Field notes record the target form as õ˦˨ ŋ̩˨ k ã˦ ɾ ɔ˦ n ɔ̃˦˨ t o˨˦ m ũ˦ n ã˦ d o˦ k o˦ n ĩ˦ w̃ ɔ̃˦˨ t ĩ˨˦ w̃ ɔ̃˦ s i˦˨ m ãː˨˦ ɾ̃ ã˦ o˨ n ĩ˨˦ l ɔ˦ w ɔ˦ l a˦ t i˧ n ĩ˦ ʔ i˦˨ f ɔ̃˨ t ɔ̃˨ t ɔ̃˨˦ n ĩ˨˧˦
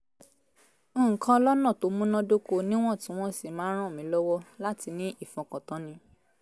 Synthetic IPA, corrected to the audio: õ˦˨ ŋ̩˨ k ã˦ l ɔ˦ n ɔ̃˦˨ t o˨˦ m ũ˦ n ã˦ d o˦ k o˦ n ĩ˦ w̃ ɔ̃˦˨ t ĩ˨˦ w̃ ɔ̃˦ s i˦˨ m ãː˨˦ ɾ̃ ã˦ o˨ m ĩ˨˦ l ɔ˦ w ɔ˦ l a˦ t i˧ n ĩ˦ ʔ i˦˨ f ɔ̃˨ k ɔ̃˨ t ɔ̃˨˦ n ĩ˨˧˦